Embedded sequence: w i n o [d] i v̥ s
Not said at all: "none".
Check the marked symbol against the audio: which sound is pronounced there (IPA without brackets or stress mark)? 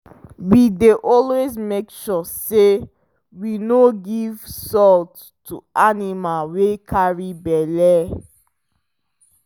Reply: ɡ